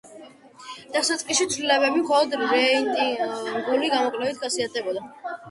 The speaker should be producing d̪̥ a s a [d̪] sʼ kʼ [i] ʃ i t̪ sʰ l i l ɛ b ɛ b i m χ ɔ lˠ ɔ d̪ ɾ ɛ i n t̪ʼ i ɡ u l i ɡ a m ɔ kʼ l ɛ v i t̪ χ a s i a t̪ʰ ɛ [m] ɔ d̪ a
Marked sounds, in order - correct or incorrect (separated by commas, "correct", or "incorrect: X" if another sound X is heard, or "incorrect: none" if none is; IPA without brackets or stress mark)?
incorrect: t̪, correct, incorrect: b